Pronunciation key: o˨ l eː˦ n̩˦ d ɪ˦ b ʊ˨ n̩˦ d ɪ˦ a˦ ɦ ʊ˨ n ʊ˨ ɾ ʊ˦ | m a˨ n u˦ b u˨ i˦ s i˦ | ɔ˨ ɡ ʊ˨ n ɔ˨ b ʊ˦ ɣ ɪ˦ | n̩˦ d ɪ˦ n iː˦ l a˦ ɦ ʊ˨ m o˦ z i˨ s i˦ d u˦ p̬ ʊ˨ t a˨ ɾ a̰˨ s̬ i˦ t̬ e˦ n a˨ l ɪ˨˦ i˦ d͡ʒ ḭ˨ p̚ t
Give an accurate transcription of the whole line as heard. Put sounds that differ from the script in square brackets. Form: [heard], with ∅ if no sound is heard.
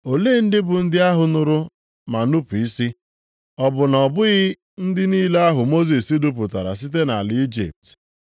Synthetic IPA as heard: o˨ l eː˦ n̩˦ d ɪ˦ b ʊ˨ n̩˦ d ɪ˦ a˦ ɦ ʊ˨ n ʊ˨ ɾ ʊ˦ | m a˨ n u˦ [p] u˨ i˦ s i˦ | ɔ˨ [b] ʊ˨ n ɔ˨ b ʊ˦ ɣ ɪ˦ | n̩˦ d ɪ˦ n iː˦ l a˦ ɦ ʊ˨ m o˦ z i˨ s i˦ d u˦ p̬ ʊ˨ t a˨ ɾ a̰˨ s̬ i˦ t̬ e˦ n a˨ l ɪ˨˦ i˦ d͡ʒ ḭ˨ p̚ t